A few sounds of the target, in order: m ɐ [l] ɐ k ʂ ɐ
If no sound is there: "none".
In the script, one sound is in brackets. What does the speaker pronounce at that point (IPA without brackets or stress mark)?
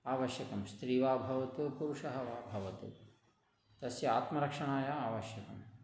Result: ɾ